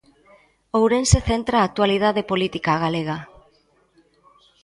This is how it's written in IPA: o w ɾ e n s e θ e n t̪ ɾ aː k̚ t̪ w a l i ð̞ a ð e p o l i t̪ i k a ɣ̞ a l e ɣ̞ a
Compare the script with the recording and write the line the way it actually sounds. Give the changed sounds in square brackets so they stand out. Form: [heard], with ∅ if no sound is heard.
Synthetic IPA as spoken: o w ɾ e n s e θ e n t̪ ɾ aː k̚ t̪ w a l i ð̞ a ð e p o l i t̪ i k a ɣ̞ a l e ɣ̞ a